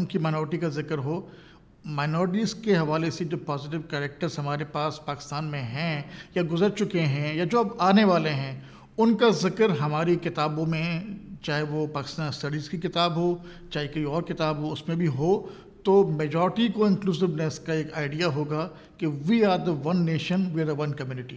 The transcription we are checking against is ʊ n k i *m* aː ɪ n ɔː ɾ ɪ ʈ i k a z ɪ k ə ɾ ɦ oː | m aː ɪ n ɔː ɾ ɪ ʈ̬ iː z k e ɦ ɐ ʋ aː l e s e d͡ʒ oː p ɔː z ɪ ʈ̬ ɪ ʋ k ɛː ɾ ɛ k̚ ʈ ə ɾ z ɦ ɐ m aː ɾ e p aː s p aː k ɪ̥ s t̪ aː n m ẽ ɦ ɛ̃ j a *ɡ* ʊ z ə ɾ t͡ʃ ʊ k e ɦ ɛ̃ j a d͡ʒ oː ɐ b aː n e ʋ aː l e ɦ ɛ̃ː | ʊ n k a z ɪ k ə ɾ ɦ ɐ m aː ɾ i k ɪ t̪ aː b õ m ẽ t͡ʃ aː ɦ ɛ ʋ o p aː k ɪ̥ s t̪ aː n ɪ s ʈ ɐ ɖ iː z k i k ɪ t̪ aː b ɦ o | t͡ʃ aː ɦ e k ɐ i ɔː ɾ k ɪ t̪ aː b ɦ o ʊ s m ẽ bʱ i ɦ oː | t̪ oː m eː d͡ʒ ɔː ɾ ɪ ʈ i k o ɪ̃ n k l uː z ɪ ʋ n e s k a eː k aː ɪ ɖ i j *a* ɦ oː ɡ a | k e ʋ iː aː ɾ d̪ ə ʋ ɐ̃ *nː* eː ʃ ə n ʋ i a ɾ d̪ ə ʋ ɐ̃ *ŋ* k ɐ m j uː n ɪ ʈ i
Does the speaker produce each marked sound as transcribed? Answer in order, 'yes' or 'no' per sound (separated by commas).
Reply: yes, yes, yes, yes, no